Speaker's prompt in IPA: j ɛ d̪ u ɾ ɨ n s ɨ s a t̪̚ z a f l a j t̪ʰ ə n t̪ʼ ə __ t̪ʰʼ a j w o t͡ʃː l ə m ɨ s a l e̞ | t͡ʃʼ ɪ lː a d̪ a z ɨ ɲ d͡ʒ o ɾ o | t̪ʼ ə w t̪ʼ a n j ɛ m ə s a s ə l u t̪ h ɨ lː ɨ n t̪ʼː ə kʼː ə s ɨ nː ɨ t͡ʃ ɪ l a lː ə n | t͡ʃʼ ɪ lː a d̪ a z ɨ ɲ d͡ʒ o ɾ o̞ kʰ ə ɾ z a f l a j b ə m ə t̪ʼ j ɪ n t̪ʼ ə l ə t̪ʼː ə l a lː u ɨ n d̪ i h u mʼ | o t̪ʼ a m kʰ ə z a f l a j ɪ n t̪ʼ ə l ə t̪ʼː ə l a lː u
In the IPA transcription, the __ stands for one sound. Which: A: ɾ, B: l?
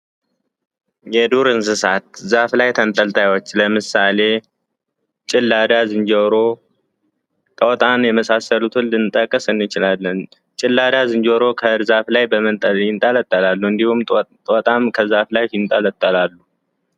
B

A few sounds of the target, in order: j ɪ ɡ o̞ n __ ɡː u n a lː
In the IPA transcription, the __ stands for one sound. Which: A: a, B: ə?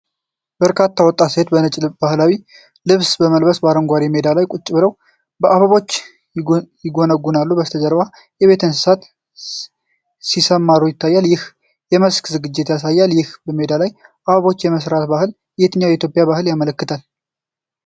B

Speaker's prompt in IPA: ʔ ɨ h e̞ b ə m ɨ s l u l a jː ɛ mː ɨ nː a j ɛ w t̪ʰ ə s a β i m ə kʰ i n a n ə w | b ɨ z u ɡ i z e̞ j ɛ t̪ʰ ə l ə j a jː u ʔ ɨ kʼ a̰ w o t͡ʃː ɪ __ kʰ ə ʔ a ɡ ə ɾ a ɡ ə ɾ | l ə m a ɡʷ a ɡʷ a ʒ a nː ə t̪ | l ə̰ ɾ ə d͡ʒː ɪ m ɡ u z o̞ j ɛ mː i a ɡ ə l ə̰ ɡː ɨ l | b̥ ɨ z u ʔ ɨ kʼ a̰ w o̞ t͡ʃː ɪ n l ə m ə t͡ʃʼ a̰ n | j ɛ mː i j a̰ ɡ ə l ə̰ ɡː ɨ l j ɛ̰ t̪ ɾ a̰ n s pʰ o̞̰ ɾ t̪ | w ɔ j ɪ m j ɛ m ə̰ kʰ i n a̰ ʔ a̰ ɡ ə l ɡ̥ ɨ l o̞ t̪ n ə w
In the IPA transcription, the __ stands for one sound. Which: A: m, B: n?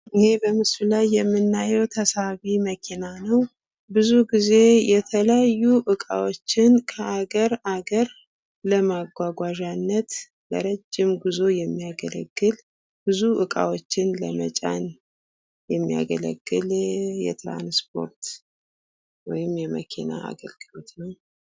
B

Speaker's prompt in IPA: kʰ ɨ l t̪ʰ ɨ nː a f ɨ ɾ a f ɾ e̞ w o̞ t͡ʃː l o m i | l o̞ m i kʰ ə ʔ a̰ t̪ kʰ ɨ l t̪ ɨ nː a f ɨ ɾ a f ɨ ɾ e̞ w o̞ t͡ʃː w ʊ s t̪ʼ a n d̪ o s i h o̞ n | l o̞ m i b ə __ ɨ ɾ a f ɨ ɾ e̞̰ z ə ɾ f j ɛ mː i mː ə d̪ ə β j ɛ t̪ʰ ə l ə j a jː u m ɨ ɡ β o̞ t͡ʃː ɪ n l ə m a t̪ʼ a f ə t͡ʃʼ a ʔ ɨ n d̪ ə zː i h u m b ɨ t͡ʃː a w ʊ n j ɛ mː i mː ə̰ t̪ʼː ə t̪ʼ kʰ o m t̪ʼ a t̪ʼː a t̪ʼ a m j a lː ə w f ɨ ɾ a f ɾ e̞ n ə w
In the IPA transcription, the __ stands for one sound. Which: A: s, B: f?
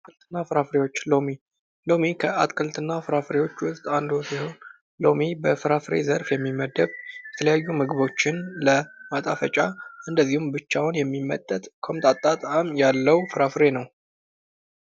B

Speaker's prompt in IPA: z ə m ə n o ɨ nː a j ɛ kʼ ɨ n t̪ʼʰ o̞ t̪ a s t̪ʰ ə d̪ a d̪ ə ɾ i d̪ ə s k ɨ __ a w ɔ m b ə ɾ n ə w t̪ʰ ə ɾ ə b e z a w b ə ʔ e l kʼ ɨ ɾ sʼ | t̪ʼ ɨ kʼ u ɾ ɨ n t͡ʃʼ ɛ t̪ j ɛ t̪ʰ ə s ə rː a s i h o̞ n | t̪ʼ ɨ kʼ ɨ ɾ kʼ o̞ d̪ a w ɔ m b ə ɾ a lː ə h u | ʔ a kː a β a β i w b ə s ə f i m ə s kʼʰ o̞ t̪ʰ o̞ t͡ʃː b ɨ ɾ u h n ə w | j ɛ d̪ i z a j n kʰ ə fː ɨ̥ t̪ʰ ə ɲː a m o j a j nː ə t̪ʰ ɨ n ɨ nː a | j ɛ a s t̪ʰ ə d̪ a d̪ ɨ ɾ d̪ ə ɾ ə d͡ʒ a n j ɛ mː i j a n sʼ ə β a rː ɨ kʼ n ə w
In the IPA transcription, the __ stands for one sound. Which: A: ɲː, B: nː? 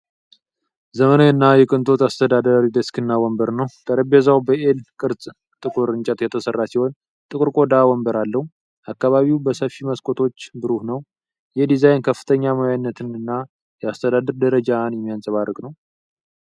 B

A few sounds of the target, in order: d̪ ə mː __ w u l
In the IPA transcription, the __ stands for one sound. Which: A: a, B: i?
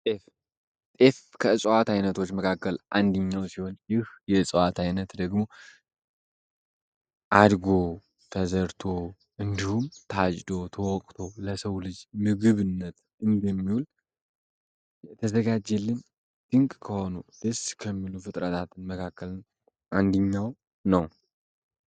B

